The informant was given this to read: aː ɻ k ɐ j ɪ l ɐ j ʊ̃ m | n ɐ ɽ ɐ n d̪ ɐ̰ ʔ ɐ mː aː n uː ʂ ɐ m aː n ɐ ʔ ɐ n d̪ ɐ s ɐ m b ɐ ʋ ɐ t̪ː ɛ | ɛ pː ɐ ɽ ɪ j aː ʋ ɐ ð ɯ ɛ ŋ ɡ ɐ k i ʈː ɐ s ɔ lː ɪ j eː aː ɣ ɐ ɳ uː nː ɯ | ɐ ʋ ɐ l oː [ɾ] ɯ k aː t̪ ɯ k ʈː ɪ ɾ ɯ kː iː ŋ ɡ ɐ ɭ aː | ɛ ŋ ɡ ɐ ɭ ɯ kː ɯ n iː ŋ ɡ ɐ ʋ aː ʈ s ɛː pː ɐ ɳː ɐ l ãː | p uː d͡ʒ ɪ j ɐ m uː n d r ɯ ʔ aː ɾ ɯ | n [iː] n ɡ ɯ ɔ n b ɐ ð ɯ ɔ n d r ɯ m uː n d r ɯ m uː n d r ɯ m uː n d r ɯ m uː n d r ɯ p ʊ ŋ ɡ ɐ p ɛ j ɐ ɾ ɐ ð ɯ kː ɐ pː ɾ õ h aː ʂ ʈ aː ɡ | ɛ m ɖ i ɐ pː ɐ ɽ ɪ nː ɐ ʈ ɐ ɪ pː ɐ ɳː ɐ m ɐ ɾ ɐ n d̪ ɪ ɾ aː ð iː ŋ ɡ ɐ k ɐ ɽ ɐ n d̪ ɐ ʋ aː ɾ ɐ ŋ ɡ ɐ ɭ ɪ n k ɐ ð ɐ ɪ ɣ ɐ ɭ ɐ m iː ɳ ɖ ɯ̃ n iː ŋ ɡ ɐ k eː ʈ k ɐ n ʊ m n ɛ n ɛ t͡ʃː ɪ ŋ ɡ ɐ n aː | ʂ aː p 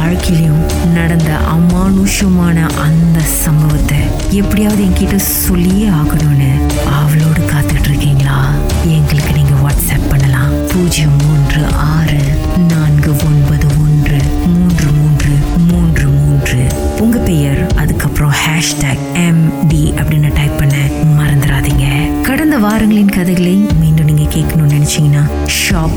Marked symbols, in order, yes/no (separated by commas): no, no